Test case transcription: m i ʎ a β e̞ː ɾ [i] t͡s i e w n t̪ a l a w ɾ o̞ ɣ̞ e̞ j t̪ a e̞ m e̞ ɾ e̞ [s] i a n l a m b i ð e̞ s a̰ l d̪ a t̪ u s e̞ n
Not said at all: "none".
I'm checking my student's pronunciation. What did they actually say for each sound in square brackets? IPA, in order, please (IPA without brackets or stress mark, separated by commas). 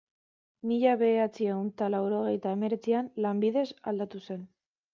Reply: a, t͡s